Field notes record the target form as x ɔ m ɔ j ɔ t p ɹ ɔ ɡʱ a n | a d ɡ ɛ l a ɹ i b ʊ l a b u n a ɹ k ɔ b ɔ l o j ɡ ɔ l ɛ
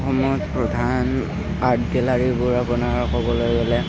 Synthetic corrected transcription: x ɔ m ɔ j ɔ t p ɹ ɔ dʱ a n | a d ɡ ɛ l a ɹ i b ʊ ɹ a p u n a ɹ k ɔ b ɔ l o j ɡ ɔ l ɛ